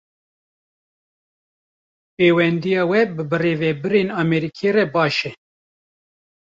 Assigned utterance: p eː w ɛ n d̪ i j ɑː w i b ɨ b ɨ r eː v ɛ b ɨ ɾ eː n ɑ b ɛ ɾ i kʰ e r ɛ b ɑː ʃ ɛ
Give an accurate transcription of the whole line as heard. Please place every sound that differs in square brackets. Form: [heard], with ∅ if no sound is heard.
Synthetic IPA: p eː w ɛ n d̪ i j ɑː w [ɛ] b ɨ b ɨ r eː v ɛ b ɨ ɾ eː n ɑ [m] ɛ ɾ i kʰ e r ɛ b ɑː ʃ ɛ